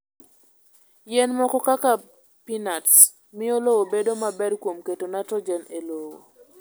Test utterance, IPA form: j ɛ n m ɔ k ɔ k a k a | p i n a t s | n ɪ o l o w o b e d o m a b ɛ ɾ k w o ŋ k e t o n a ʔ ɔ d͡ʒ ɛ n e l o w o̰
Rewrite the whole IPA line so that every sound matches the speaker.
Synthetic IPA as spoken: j ɛ n m ɔ k ɔ k a k a | p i n a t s | m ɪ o l o w o b e d o m a b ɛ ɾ k w o m k e t o n a t ɔ d͡ʒ ɛ n e l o w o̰